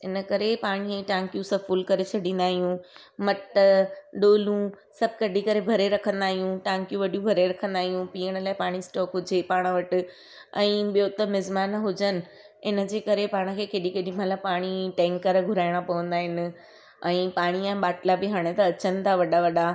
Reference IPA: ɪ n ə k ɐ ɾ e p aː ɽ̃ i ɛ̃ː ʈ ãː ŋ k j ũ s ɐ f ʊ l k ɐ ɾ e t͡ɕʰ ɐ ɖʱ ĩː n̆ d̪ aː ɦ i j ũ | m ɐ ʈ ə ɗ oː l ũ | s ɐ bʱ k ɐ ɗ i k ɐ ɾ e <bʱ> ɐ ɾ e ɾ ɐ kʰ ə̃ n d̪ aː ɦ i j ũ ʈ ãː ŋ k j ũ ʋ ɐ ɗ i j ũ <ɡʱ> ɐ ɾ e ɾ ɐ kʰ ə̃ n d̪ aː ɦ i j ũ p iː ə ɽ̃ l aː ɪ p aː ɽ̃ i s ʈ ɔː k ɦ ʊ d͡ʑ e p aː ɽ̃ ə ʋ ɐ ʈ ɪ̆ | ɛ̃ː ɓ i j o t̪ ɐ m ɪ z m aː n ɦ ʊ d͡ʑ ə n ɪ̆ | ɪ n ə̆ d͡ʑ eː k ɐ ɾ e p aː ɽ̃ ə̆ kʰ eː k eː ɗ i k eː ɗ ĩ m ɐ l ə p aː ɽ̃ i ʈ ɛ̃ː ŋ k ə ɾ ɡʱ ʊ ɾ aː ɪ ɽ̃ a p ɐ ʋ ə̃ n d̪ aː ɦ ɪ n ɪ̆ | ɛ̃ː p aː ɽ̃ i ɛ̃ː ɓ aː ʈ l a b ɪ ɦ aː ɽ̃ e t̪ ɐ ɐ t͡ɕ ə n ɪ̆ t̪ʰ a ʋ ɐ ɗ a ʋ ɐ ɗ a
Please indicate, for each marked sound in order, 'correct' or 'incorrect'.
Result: correct, incorrect

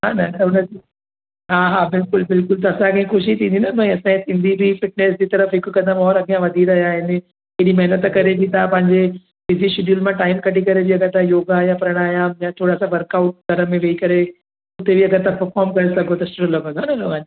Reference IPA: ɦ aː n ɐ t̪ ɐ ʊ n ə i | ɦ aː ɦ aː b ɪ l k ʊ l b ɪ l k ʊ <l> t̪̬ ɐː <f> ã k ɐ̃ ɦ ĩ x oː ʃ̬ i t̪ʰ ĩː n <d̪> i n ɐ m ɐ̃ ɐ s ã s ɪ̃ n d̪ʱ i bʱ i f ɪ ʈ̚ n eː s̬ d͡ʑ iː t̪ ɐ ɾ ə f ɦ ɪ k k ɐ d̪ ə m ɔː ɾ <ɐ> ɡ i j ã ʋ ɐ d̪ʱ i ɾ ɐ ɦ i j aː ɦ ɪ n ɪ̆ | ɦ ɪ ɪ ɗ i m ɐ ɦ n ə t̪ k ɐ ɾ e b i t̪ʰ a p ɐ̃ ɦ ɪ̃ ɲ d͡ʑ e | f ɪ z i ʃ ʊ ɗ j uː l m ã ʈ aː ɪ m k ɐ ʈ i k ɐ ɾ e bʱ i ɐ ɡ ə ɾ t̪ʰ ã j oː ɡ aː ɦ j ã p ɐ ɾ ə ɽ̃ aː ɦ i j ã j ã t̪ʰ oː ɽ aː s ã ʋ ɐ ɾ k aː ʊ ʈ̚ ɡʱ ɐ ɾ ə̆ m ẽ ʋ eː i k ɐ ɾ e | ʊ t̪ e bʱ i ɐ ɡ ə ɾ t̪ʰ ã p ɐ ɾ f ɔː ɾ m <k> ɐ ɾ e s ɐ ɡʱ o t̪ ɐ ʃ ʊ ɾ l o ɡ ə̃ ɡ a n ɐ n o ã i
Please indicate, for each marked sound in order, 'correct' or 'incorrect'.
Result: correct, incorrect, correct, correct, correct

